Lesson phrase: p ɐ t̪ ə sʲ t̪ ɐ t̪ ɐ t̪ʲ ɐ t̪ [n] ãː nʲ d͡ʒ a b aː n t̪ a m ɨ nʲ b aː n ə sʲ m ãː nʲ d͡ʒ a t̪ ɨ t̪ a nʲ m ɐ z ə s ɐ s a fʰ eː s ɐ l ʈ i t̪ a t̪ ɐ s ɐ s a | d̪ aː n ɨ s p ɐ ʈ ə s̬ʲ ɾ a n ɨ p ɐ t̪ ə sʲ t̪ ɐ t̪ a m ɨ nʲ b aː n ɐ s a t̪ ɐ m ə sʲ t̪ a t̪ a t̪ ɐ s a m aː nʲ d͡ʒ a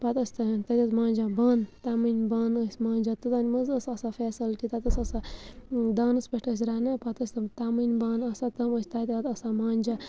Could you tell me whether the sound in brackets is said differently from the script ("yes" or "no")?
yes